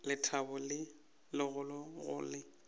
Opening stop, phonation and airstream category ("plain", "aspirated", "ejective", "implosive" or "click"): aspirated